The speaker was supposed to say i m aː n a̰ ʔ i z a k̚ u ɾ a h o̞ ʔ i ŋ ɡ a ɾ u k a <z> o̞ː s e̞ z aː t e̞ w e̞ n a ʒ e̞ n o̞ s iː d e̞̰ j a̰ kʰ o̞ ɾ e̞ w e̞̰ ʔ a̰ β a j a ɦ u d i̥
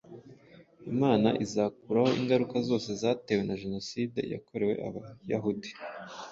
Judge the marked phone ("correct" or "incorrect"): correct